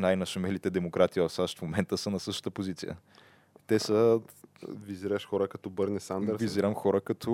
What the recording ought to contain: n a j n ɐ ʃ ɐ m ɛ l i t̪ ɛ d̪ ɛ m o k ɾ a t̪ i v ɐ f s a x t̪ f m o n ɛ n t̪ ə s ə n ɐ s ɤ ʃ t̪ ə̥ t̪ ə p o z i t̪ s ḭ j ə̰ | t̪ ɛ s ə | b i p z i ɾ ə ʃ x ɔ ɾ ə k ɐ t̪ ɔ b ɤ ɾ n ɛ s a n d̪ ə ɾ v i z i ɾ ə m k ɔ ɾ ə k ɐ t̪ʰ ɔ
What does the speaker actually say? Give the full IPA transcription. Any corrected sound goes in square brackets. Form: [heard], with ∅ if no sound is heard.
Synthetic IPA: n a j n ɐ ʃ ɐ m ɛ l i t̪ ɛ d̪ ɛ m o k ɾ a t̪ i v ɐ f s a [ʃ] t̪ f m o [m] ɛ n t̪ ə s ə n ɐ s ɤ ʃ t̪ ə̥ t̪ ə p o z i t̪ s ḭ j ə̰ | t̪ ɛ s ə | [v] i [∅] z i ɾ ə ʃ x ɔ ɾ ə k ɐ t̪ ɔ b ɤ ɾ n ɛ s a n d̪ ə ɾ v i z i ɾ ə m [x] ɔ ɾ ə k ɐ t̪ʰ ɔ